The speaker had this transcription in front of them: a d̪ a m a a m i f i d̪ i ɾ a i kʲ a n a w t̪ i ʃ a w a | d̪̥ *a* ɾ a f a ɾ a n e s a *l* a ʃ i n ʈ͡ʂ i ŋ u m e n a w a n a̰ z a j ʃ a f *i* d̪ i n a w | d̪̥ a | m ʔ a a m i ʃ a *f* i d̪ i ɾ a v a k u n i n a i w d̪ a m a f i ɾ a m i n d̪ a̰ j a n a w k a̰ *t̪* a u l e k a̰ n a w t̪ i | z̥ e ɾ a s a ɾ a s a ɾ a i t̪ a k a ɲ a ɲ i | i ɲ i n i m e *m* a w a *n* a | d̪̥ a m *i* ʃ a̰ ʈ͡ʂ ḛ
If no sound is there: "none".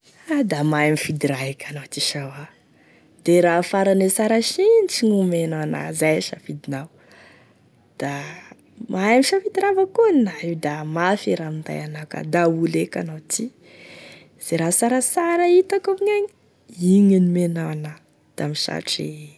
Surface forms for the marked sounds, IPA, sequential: e, ɾ, i, f, d̪, n, n, i

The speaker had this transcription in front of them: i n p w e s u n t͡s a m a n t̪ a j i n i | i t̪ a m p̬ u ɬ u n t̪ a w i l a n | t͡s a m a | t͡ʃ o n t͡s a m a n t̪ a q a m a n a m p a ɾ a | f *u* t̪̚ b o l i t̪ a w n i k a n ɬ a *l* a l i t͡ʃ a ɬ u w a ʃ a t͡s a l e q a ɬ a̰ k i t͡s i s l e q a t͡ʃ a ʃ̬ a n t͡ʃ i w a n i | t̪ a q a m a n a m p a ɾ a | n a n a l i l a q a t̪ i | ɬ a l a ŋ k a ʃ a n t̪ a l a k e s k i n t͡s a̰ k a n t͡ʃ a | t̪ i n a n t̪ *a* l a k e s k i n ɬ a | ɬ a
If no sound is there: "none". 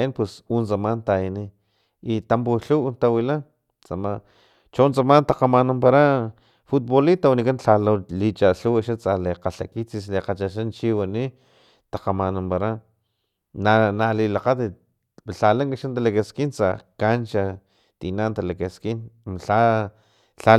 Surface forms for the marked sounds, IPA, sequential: u, l, a

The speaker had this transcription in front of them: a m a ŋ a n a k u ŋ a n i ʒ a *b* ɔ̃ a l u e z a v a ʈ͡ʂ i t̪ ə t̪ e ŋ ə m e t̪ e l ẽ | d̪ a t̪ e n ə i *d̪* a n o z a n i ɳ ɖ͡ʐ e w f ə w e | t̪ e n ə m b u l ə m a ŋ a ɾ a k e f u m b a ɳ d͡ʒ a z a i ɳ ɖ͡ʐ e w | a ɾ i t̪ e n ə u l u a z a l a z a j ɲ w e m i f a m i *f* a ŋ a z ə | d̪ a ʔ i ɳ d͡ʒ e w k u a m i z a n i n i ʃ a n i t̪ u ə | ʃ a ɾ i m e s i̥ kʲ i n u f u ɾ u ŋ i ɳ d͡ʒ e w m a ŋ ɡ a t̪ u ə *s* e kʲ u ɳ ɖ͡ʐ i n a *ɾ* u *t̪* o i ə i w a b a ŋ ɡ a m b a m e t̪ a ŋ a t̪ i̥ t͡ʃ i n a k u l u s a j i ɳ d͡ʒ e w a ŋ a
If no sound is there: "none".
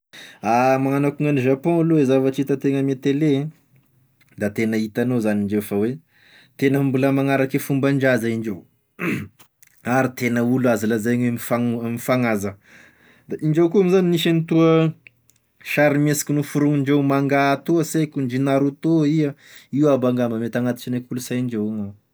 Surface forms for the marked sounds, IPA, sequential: p, t̪, f, s, ɾ, t̪

